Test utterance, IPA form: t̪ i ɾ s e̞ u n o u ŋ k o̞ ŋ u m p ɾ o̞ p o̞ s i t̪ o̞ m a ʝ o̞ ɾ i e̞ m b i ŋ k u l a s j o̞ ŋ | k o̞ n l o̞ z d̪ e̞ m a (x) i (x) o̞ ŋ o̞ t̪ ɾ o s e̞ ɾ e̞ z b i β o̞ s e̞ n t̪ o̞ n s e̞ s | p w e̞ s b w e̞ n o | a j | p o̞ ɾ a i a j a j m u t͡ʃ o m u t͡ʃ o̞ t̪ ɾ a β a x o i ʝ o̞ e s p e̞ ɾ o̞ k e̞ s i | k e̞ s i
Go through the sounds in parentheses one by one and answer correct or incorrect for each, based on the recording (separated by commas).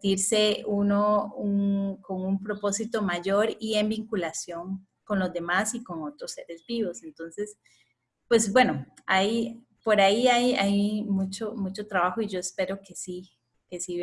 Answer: incorrect, incorrect